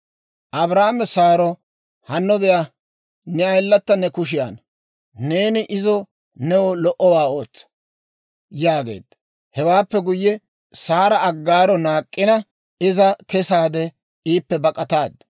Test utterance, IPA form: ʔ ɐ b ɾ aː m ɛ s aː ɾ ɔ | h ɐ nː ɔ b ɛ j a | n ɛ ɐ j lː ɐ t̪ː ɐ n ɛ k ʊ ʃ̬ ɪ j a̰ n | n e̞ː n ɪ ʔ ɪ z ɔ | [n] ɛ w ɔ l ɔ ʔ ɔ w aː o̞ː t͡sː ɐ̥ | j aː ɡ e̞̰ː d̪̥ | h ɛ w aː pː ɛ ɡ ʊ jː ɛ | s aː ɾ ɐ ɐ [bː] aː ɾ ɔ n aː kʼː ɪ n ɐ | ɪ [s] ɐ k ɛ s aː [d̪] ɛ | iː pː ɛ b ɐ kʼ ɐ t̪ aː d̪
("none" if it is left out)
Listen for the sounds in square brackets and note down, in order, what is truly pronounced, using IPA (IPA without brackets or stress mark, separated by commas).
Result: n, ɡː, z, d̪